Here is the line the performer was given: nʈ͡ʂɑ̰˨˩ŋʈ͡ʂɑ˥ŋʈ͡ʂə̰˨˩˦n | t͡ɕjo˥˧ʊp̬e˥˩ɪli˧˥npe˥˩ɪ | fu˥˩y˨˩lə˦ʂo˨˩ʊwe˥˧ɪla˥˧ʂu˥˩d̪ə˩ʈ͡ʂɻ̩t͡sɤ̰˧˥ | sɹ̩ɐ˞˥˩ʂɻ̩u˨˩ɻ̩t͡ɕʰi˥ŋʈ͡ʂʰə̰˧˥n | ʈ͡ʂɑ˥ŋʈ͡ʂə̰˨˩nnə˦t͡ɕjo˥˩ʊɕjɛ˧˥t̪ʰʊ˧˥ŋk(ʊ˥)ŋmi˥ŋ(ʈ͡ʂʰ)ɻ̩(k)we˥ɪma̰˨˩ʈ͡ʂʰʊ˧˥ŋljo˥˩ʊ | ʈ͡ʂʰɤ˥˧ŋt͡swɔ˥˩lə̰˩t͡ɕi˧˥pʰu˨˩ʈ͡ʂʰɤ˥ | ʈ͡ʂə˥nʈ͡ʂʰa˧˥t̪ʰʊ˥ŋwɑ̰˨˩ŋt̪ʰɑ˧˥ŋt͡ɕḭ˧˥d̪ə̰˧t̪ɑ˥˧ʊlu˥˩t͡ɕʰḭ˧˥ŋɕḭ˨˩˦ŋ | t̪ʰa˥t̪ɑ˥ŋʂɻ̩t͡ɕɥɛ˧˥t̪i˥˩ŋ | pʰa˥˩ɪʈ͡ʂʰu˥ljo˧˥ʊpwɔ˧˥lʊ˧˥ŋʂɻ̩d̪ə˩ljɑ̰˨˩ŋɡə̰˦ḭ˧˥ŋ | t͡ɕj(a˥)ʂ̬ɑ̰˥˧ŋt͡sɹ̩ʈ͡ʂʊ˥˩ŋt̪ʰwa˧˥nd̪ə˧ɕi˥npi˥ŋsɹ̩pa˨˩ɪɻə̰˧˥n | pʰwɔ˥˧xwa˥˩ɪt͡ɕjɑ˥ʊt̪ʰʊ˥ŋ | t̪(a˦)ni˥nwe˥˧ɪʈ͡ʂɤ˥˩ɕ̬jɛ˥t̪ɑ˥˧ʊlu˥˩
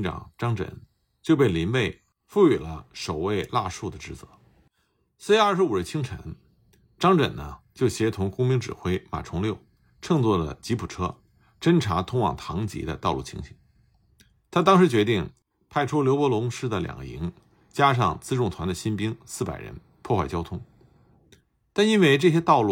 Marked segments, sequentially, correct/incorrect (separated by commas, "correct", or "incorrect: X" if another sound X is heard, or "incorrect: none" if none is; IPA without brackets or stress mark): correct, incorrect: ʈ͡ʂ, incorrect: x, correct, incorrect: a˥˩